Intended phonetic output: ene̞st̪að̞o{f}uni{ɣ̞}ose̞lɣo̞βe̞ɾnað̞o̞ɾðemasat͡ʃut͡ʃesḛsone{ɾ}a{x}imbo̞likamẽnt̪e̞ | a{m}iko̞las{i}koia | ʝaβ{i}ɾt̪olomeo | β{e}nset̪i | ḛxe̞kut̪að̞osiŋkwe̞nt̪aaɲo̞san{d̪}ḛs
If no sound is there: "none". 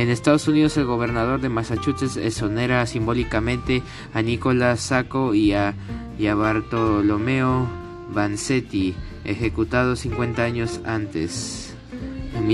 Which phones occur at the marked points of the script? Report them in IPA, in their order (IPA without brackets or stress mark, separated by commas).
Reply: s, ð̞, ɾ, s, n, a, a, a, t̪